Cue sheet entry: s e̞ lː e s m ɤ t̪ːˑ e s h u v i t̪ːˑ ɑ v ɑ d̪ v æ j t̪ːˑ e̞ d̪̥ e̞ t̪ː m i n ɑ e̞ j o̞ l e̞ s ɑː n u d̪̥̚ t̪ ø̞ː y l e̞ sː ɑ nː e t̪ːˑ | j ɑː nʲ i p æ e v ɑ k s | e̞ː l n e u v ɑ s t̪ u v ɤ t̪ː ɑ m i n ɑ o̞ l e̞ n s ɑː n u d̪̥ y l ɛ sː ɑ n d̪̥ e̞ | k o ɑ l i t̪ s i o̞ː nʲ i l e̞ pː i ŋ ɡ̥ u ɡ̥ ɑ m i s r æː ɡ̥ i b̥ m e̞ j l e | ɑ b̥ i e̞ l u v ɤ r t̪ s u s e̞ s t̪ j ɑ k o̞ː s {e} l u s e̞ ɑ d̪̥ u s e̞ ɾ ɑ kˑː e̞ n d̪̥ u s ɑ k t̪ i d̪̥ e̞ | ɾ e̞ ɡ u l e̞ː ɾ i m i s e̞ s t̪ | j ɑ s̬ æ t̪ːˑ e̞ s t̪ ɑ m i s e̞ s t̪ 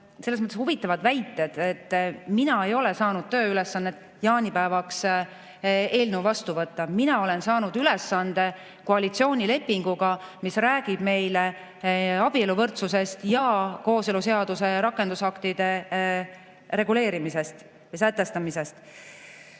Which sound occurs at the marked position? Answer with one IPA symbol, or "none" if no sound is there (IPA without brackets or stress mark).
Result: e